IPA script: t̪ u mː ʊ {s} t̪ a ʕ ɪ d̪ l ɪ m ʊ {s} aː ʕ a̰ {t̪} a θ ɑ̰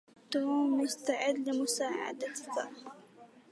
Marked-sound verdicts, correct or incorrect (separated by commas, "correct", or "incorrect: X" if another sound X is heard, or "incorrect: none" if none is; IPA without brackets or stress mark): correct, correct, incorrect: d̪